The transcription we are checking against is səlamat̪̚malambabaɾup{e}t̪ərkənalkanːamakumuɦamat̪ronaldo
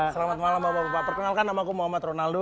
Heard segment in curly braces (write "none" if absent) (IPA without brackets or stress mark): a